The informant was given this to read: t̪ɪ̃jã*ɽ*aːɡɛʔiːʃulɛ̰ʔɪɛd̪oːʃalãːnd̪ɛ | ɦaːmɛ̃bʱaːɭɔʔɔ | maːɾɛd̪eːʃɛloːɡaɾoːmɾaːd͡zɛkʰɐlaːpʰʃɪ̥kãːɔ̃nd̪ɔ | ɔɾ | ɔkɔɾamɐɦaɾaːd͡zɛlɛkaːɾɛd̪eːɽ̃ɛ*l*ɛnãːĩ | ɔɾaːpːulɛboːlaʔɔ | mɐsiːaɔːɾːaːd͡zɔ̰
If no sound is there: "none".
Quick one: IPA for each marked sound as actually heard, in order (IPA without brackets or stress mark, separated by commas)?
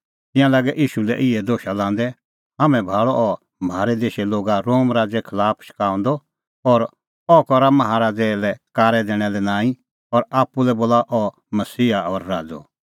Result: l, l